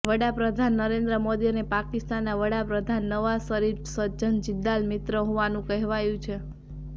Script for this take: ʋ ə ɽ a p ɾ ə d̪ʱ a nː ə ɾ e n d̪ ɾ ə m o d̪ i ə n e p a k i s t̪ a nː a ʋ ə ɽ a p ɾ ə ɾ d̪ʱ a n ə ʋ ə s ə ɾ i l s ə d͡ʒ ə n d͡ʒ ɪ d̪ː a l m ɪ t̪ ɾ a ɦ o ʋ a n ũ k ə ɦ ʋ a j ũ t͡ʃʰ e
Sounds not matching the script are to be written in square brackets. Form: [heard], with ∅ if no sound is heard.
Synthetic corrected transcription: ʋ ə ɽ a p ɾ ə d̪ʱ a nː ə ɾ e n d̪ ɾ ə m o d̪ i ə n e p a k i s t̪ a nː a ʋ ə ɽ a p ɾ ə [∅] d̪ʱ a [nː] ə ʋ [a] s ə ɾ i [ɾ] s ə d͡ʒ ə n d͡ʒ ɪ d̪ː a l m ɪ t̪ ɾ [ə] ɦ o ʋ a n ũ k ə ɦ ʋ a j ũ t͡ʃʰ e